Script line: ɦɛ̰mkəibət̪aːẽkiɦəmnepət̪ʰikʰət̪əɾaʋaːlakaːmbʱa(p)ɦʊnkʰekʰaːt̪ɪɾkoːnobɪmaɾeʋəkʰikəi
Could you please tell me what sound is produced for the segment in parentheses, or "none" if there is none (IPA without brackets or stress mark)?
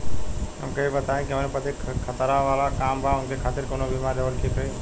none